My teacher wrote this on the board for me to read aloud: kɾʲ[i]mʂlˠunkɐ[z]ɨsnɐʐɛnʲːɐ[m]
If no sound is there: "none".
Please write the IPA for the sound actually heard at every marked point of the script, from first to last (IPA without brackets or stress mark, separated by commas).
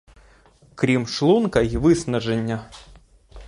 i, v, none